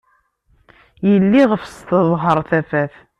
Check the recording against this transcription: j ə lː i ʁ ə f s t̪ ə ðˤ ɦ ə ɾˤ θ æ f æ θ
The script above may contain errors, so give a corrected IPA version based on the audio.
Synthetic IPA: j ə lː i ʁ ə f s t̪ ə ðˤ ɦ ə ɾˤ θ æ f æ θ